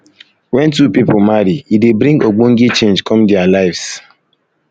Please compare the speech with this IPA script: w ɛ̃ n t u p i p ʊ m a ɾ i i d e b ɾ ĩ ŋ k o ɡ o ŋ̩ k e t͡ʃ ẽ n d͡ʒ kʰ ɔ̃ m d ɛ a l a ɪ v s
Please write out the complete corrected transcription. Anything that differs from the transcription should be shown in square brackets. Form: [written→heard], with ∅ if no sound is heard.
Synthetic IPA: w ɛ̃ n t u p i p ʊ m a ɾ i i d e b ɾ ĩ ŋ [k→ɡ] o [ɡ→ɡ͡b] o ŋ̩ [k→ɡ] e t͡ʃ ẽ n d͡ʒ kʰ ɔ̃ m d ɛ a l a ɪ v s